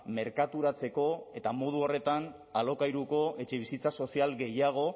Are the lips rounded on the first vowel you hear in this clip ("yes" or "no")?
no